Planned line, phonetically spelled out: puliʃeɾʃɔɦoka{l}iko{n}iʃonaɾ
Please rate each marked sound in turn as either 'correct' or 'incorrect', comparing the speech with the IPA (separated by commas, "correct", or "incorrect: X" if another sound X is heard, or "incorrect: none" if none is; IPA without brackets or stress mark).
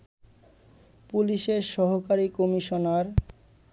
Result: incorrect: ɾ, incorrect: m